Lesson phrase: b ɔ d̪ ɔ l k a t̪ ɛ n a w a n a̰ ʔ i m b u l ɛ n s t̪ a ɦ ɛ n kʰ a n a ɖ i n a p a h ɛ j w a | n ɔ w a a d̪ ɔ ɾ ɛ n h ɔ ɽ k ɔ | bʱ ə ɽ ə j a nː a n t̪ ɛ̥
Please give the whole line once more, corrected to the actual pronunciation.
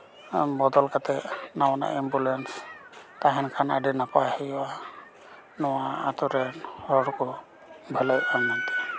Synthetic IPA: b ɔ d̪ ɔ l k a t̪ ɛ n a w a n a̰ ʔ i m b u l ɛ n s t̪ a ɦ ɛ n kʰ a n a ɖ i n a p a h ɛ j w a | n ɔ w a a t̪ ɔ ɾ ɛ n h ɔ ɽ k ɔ | bʱ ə l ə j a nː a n t̪ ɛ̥